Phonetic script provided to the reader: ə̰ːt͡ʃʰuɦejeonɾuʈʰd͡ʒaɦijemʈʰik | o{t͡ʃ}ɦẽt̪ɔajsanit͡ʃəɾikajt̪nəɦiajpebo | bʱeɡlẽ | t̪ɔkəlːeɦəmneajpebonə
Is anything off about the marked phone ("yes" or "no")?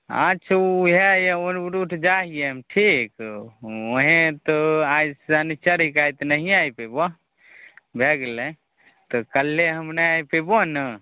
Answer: yes